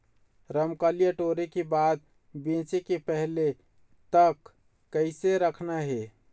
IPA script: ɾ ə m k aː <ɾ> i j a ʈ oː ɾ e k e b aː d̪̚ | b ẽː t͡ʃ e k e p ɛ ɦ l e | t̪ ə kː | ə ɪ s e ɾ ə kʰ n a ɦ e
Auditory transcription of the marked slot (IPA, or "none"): l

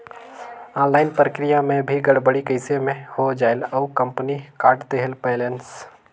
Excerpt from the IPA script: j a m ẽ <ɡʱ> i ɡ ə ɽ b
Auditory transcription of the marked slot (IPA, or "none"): bʱ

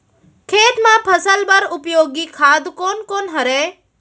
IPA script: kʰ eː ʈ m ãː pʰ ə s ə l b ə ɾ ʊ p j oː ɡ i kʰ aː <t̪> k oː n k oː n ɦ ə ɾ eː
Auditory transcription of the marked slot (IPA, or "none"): d̪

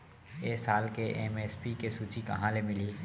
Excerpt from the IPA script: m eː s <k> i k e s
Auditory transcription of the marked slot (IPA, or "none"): p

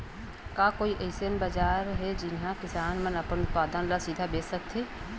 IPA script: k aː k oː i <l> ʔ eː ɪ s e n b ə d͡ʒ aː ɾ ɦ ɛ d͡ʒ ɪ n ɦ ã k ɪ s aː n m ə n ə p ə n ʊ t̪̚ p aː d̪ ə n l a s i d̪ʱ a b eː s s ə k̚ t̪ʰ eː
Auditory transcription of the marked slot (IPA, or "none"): none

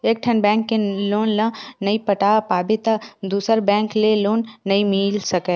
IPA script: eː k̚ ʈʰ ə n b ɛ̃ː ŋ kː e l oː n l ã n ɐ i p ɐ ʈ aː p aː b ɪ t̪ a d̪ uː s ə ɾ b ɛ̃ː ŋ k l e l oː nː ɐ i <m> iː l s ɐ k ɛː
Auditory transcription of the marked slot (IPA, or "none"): m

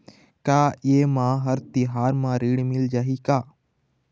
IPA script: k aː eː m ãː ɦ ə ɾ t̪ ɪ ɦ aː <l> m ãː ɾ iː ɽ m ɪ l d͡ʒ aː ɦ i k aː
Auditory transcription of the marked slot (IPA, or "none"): ɾ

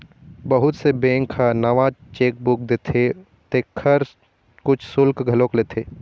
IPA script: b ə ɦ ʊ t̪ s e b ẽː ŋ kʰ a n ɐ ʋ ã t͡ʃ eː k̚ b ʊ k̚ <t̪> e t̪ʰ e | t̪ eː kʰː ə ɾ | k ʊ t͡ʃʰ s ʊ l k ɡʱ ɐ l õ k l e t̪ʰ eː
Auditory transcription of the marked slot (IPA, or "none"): d̪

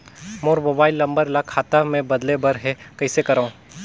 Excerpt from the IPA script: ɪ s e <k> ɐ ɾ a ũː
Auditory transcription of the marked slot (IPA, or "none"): k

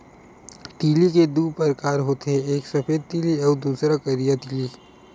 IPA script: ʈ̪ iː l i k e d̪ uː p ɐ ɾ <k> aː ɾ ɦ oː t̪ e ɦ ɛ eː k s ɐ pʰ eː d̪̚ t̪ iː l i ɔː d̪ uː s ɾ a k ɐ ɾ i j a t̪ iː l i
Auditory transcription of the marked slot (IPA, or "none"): k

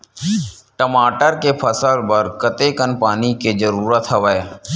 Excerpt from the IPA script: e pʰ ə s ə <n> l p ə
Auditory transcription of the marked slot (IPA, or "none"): none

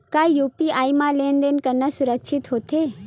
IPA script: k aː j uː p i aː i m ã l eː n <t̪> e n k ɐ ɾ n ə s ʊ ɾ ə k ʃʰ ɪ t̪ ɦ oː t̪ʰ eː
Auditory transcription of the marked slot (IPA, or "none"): d̪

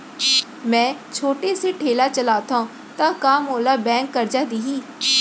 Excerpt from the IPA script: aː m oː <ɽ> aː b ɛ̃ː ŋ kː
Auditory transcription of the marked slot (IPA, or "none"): l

